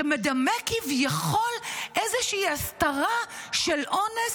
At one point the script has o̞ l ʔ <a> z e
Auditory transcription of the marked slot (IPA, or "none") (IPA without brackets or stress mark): e